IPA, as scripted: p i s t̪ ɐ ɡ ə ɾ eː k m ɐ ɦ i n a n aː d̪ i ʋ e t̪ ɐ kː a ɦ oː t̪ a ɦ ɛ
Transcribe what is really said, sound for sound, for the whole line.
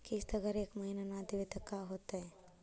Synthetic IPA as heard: k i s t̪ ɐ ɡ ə ɾ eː k m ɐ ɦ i n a n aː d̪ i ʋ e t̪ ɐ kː a ɦ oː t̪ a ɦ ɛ